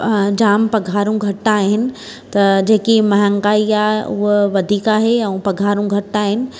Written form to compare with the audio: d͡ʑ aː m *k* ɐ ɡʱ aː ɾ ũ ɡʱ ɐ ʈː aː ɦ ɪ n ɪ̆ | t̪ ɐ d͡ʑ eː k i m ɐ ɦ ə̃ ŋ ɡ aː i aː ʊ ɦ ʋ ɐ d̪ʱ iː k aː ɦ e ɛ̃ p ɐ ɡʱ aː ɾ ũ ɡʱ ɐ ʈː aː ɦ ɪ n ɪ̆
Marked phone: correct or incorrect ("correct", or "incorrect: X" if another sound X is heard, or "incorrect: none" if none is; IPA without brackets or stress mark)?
incorrect: p